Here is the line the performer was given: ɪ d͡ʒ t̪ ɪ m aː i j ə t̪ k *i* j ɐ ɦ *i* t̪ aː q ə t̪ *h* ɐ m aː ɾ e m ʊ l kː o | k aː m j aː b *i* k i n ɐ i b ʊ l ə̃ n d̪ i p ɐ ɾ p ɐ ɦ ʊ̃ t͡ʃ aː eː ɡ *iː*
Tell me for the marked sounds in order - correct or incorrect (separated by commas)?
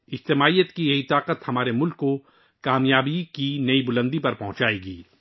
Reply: correct, correct, correct, correct, correct